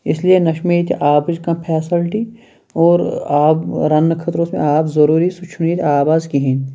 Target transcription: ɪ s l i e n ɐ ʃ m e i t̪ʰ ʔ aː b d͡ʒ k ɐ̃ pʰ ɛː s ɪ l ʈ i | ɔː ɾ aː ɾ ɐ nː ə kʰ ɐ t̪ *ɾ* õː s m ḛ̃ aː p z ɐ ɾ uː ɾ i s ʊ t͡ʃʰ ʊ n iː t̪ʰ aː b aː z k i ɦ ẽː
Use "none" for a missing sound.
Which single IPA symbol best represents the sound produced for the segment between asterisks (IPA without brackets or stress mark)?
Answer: ɾ